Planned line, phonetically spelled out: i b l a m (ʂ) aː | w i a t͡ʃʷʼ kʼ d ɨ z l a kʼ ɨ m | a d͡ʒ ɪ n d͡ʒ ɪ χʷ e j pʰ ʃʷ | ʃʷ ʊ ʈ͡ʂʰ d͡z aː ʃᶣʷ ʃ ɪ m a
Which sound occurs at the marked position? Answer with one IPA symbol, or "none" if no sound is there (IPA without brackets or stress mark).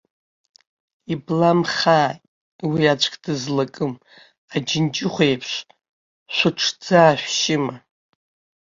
χ